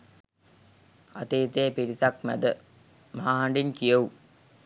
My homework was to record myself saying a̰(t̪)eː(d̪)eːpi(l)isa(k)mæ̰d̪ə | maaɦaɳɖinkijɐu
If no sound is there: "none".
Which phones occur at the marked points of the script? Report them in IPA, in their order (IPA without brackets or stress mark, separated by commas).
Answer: t̪, t̪, ɾ, k